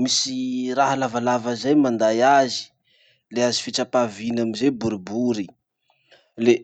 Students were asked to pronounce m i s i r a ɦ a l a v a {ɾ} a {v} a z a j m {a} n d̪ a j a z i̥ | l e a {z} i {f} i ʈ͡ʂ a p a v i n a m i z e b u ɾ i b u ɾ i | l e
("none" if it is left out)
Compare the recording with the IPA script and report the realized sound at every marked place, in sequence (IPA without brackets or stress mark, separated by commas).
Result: l, v, a, z, f